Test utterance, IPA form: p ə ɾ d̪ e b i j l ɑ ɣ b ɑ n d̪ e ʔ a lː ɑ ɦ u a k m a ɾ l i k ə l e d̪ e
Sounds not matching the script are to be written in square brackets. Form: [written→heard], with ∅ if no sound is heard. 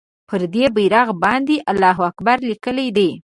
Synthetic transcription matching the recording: p ə ɾ d̪ e b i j [l→ɾ] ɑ ɣ b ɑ n d̪ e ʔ a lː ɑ ɦ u a k [m→b] a ɾ l i k ə l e d̪ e